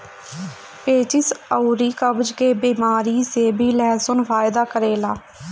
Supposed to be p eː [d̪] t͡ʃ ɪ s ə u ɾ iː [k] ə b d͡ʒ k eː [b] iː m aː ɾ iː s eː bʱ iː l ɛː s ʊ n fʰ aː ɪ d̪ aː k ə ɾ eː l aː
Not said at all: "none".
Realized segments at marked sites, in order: none, k, b

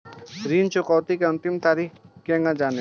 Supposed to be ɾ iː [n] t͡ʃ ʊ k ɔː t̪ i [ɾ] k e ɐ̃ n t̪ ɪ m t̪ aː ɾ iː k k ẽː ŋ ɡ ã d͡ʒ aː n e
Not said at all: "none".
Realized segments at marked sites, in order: n, none

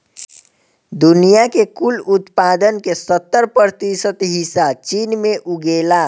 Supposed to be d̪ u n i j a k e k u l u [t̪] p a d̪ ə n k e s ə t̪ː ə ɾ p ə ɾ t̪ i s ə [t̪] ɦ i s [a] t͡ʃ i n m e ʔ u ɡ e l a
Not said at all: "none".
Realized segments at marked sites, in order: t̪, t̪, a

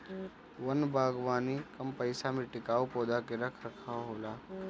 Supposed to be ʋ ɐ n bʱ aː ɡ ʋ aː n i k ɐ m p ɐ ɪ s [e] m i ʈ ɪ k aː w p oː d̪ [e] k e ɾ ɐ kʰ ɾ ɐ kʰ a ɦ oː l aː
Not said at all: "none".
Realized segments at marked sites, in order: a, a

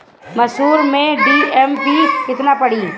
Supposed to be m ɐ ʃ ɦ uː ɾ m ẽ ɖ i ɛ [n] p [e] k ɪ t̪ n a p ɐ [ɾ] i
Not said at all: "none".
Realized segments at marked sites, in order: m, i, ɽ

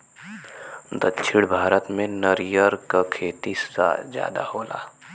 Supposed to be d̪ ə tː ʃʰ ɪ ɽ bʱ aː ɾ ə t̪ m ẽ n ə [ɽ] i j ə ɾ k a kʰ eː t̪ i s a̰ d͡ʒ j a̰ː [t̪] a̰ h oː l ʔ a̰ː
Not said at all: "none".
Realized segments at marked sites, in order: ɾ, d̪

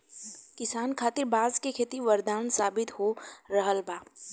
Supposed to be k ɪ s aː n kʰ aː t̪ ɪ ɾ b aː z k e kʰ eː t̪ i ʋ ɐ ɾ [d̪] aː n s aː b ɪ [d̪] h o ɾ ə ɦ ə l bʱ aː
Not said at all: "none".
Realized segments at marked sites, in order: d̪, t̪

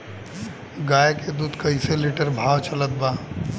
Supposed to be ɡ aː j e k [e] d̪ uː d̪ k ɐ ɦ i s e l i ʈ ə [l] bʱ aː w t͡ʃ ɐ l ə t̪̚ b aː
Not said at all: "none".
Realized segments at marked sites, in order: e, ɾ

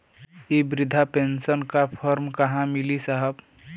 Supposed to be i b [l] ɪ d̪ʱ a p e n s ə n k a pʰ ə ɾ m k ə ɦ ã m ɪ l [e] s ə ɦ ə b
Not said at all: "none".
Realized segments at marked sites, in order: ɾ, i

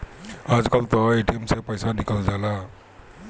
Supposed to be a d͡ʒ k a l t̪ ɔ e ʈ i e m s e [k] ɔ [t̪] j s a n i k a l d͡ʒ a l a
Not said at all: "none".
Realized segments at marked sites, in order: p, none

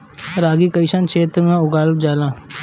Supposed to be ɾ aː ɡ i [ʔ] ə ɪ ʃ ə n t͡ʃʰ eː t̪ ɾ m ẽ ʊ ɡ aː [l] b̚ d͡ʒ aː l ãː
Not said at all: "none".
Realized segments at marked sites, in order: k, l

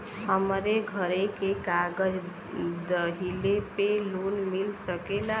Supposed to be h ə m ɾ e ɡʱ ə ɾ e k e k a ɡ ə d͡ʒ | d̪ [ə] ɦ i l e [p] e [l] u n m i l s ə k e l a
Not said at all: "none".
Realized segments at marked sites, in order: ə, p, l

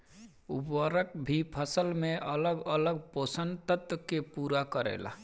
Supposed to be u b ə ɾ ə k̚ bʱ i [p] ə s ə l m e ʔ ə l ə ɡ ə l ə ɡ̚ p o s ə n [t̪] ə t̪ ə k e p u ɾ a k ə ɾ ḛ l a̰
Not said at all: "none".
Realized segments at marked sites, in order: pʰ, t̪

